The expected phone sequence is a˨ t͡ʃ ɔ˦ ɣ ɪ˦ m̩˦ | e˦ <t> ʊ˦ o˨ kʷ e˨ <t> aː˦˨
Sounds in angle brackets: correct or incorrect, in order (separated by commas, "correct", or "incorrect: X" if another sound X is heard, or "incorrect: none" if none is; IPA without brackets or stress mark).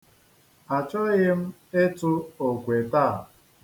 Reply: correct, correct